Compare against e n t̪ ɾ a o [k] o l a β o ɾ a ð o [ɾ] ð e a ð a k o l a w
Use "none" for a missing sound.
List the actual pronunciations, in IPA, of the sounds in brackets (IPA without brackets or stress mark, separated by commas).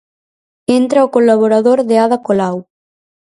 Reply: k, ɾ